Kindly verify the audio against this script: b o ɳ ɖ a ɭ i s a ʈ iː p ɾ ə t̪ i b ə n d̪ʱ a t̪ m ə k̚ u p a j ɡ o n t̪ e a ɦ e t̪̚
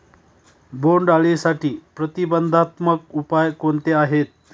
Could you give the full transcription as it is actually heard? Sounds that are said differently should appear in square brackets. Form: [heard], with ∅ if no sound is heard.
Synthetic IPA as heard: b o ɳ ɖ a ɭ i s a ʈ iː p ɾ ə t̪ i b ə n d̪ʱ a t̪ m ə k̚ u p a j [k] o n t̪ e a ɦ e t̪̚